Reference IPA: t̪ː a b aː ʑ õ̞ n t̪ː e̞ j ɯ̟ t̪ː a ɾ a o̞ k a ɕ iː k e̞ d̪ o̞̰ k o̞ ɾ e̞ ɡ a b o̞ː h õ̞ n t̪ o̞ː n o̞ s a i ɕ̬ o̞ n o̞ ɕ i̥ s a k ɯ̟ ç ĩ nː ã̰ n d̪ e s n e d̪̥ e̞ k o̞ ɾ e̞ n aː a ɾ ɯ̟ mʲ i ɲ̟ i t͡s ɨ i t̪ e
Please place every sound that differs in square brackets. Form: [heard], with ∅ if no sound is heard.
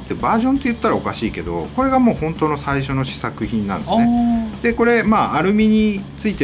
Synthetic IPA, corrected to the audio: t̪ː [e] b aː ʑ õ̞ n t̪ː e̞ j ɯ̟ t̪ː a ɾ a o̞ k a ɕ iː k e̞ d̪ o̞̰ k o̞ ɾ e̞ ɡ a [m] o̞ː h õ̞ n t̪ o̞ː n o̞ s a i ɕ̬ o̞ n o̞ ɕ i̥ s a k ɯ̟ ç ĩ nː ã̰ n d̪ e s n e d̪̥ e̞ k o̞ ɾ e̞ [m] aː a ɾ ɯ̟ mʲ i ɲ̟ i t͡s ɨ i t̪ e